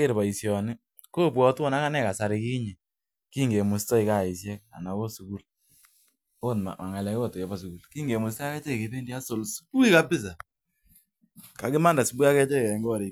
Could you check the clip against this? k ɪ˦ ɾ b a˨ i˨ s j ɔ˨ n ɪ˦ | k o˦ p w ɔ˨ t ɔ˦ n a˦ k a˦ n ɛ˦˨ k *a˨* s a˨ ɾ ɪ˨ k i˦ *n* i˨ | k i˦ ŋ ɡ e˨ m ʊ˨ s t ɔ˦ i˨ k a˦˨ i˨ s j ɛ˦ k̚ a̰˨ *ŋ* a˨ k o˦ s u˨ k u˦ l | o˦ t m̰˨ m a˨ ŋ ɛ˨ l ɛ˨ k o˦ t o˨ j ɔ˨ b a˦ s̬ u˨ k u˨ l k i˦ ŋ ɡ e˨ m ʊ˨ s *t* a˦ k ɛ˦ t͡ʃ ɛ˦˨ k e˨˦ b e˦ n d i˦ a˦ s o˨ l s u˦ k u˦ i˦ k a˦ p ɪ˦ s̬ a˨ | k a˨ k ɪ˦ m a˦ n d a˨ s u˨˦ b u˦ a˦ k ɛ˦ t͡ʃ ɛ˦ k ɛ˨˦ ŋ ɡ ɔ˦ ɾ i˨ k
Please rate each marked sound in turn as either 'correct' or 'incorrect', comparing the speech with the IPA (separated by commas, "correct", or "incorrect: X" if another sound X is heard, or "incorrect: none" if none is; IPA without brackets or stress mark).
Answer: correct, incorrect: ɲ, incorrect: n, correct